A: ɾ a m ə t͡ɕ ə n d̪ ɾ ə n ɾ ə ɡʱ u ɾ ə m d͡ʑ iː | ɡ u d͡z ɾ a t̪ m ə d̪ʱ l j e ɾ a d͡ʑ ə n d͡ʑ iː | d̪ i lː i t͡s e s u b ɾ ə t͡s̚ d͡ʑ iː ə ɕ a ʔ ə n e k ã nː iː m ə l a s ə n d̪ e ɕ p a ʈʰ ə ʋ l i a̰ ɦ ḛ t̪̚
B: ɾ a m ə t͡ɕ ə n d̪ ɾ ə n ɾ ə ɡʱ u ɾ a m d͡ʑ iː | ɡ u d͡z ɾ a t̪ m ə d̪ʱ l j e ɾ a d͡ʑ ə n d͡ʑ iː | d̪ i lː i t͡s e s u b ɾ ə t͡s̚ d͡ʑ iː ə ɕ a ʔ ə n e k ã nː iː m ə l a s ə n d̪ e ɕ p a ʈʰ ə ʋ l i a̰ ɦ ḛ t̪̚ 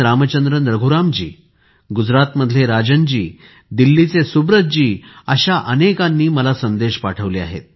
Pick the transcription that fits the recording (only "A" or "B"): B